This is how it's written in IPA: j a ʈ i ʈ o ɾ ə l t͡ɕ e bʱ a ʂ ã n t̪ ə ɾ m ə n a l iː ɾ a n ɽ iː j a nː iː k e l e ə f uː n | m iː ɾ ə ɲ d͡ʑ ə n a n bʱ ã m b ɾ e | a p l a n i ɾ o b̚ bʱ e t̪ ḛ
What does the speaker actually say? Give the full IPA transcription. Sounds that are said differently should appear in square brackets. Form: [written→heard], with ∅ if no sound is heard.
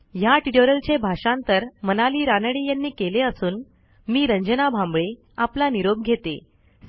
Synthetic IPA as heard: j a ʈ i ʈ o ɾ ə l t͡ɕ e bʱ a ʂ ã n t̪ ə ɾ m ə n a l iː ɾ a n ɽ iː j a nː iː k e l e ə [f→s] uː n | m iː ɾ ə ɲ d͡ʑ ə n a [n→∅] bʱ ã m b [ɾ→ɭ] e | a p l a n i ɾ o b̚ [bʱ→ɡʱ] e t̪ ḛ

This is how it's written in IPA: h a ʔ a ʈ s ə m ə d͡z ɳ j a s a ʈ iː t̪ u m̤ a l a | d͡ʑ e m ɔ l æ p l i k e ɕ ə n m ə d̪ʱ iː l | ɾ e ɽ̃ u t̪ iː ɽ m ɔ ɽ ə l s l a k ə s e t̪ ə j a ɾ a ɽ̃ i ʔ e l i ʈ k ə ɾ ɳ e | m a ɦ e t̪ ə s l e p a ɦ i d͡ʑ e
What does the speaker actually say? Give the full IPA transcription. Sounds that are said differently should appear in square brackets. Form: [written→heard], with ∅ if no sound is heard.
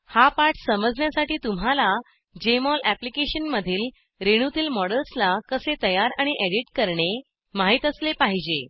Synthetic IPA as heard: h a [ʔ→p] a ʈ s ə m ə d͡z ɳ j a s a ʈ iː t̪ u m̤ a l a | d͡ʑ e m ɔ l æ p l i k e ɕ ə n m ə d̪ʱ iː l | ɾ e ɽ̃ u t̪ iː [ɽ→l] m ɔ ɽ ə l s l a k ə s e t̪ ə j a ɾ a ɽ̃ i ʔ e [l→ɽ] i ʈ k ə ɾ ɳ e | m a ɦ [e→i] t̪ ə s l e p a ɦ i d͡ʑ e

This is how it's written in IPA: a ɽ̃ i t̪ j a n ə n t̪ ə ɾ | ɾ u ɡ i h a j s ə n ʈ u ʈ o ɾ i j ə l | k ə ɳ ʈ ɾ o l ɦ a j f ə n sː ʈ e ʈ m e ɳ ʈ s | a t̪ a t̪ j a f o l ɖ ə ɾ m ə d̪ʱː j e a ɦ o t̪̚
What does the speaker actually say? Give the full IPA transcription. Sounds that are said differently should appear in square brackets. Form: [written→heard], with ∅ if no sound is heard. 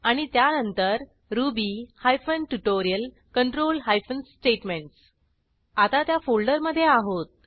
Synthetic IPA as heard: a ɽ̃ i t̪ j a n ə n t̪ ə ɾ | ɾ u [ɡ→b] i h a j [s→f] ə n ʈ u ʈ o ɾ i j ə l | k ə ɳ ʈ ɾ o l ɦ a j f ə n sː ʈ e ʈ m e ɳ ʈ s | a t̪ a t̪ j a f o l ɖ ə ɾ m ə d̪ʱː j e a ɦ o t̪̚

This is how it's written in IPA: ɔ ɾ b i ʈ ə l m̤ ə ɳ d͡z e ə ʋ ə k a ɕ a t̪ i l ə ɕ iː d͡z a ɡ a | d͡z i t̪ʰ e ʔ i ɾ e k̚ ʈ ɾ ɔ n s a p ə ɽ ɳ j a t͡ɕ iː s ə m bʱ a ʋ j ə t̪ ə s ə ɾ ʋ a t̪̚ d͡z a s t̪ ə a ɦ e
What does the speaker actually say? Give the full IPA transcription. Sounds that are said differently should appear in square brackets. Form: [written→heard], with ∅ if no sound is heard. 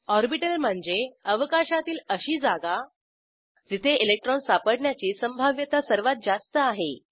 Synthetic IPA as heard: ɔ ɾ b i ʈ ə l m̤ ə ɳ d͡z e ə ʋ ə k a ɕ a t̪ [i→iː] l ə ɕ iː d͡z a ɡ a | d͡z i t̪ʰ e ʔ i [ɾ→l] e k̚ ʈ ɾ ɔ n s a p ə ɽ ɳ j a t͡ɕ iː s ə m bʱ a ʋ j ə t̪ [ə→a] s ə ɾ ʋ a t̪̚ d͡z a s t̪ ə a ɦ e

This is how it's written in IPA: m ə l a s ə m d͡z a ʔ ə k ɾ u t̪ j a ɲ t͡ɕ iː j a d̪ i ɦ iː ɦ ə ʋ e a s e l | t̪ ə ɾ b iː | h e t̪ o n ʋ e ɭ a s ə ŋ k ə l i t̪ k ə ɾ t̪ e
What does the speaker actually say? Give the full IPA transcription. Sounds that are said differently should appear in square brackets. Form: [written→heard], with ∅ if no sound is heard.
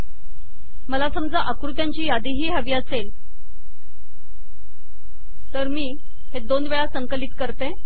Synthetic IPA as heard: m ə l a s ə m d͡z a ʔ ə k ɾ u t̪ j a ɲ t͡ɕ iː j a d̪ i ɦ iː ɦ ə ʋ [e→i] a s e l | t̪ ə ɾ [b→m] iː | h e [t̪→d̪] o n ʋ e ɭ a s ə ŋ k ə l i t̪ k ə ɾ t̪ e

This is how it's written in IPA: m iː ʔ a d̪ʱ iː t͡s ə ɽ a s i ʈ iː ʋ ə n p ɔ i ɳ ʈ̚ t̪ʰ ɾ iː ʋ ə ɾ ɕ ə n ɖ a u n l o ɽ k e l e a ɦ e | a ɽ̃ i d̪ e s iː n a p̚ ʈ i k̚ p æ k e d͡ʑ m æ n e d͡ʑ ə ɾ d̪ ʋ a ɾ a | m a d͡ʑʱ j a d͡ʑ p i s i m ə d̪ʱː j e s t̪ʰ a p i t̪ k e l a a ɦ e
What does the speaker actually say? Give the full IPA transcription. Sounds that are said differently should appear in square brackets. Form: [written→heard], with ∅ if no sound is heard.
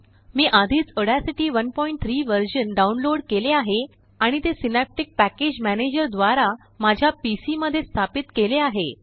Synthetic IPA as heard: m iː ʔ a d̪ʱ iː t͡s ə ɽ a s i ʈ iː ʋ ə n p ɔ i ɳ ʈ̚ t̪ʰ ɾ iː ʋ ə ɾ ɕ ə n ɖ a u n l o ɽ k e l e a ɦ e | a ɽ̃ i [d̪→t̪] e s [iː→i] n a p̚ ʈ i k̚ p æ k e d͡ʑ m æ n e d͡ʑ ə ɾ d̪ ʋ a ɾ a | m a d͡ʑʱ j a [d͡ʑ→∅] p i s i m ə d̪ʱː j e s t̪ʰ a p i t̪ k e l [a→e] a ɦ e

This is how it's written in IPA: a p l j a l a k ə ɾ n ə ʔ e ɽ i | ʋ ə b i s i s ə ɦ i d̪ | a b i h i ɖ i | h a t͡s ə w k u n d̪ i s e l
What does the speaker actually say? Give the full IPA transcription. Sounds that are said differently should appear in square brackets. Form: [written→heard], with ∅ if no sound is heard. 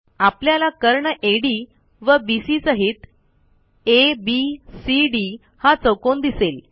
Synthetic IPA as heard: a p l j a l a k ə ɾ [n→ɳ] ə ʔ e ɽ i | ʋ ə b i s i s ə ɦ i [d̪→t̪] | [a→e] b i [h→s] i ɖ i | h a t͡s ə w k [u→o] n d̪ i s e l

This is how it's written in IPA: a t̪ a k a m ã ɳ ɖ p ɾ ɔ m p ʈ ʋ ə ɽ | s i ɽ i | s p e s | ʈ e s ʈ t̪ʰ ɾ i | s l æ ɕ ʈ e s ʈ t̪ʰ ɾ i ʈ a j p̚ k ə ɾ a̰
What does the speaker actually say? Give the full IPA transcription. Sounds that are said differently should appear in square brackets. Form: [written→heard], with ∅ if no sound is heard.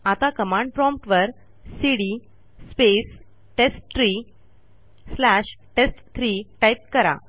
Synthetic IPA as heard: a t̪ a k [a→ə] m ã ɳ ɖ p ɾ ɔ m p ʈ ʋ ə [ɽ→ɾ] | s i ɽ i | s p e s | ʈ e s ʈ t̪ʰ ɾ i | s l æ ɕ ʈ e s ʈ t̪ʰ ɾ i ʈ a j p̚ k ə ɾ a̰

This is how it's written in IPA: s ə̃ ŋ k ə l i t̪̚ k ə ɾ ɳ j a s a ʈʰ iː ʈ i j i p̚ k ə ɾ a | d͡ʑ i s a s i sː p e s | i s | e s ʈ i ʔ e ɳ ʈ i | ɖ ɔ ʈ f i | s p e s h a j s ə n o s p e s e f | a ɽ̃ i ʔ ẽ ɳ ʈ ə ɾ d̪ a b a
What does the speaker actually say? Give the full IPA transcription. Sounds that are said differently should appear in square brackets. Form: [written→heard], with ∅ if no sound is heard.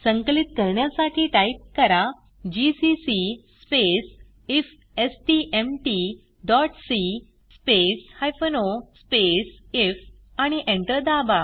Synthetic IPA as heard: s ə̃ ŋ k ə l i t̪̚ k ə ɾ ɳ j a s a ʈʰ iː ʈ [i→a] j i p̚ k ə ɾ a | d͡ʑ i s [a→i] s i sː p e s | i [s→f] | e s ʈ i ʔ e [ɳ→m] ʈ i | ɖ ɔ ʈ [f→s] i | s p e s h a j [s→f] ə n o s p e s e f | a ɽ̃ i ʔ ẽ ɳ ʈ ə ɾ d̪ a b a

